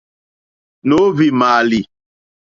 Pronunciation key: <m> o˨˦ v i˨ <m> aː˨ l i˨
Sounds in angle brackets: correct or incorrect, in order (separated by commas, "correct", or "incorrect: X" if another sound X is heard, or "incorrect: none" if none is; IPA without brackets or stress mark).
incorrect: n, correct